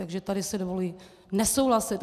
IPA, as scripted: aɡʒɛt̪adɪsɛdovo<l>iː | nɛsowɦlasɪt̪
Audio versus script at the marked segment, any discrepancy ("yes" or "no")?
no